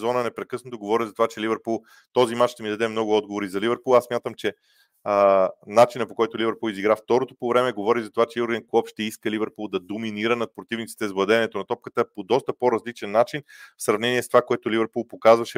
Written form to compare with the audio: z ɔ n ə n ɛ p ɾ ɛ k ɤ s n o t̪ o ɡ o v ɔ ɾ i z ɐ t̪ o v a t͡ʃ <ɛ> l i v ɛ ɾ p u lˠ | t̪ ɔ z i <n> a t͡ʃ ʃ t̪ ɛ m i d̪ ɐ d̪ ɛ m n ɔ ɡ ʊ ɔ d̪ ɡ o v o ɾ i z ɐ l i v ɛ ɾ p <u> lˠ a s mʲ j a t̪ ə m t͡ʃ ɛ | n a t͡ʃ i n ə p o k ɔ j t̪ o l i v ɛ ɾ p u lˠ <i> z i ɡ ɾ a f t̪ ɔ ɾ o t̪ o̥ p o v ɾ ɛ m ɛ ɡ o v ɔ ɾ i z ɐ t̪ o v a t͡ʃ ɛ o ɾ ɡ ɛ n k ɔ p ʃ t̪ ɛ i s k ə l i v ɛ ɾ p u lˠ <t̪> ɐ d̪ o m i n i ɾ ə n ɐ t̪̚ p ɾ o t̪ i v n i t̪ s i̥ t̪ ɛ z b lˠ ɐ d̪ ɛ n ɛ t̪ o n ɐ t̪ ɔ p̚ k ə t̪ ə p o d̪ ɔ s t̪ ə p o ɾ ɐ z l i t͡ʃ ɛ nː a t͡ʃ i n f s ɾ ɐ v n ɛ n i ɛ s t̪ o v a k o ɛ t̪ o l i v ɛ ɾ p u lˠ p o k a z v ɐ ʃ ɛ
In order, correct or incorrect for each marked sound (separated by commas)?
correct, incorrect, correct, correct, incorrect